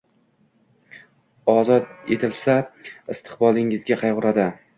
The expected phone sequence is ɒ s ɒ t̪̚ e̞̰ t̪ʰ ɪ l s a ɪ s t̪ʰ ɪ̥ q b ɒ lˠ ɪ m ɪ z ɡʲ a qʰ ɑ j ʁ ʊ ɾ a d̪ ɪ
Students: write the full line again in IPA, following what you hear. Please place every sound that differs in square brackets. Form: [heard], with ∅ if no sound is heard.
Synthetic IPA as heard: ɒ [z] ɒ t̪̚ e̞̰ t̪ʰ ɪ l s a ɪ s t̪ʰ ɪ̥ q b ɒ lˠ ɪ [ŋ] ɪ z ɡʲ a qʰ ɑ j ʁ ʊ ɾ a d̪ ɪ